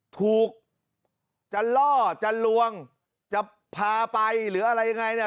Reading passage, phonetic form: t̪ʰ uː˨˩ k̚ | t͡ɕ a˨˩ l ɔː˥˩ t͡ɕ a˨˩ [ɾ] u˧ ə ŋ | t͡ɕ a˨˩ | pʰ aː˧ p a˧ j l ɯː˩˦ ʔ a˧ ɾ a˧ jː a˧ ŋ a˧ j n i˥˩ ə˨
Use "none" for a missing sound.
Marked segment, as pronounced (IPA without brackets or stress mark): l